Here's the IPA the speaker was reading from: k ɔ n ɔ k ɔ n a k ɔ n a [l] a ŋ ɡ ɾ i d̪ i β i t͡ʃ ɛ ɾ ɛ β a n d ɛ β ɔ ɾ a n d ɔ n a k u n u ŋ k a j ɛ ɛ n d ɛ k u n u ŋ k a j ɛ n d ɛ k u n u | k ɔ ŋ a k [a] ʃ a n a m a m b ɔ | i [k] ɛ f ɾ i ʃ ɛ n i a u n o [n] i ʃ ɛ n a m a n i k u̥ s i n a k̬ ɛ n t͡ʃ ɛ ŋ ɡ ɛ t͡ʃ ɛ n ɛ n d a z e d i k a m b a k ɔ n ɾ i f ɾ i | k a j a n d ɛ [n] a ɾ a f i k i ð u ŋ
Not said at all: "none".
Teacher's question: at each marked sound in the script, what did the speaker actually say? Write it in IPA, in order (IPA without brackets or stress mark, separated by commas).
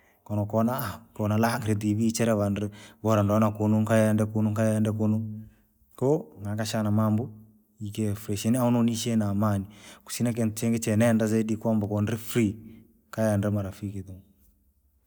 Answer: l, a, k, n, m